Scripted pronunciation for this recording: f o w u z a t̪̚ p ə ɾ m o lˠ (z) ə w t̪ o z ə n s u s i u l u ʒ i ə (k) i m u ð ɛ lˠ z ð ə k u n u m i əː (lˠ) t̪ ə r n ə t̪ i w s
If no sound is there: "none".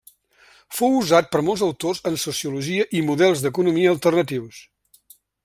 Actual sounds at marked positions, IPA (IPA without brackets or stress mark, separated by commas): z, ʔ, lˠ